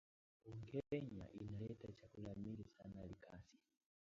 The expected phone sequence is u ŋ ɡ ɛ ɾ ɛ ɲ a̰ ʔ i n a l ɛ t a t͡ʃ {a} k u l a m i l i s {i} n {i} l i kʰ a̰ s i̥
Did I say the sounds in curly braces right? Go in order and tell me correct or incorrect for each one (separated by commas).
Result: correct, incorrect, incorrect